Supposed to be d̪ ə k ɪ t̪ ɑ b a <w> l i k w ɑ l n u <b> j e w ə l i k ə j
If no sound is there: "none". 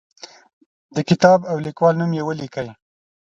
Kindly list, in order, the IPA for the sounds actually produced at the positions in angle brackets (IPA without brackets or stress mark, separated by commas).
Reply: w, m